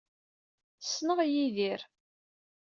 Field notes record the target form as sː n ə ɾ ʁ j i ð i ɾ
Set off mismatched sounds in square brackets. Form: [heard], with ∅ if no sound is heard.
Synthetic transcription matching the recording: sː n ə [∅] ʁ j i ð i ɾ